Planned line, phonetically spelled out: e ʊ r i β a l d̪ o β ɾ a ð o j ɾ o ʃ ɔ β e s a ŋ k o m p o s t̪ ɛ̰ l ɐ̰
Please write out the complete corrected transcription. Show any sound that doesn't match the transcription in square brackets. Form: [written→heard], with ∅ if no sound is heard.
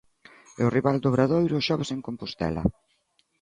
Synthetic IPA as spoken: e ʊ r i β a l d̪ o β ɾ a ð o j ɾ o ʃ ɔ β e s [a→e] ŋ k o m p o s t̪ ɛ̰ l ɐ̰